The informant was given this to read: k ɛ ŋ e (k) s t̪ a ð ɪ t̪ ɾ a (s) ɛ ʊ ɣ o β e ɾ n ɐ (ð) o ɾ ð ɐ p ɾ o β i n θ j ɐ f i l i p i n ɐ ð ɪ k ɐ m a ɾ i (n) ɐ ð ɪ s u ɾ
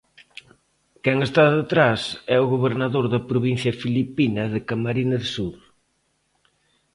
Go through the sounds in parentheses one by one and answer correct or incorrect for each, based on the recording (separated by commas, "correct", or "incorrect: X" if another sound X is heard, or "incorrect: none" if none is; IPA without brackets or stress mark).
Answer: incorrect: none, correct, correct, correct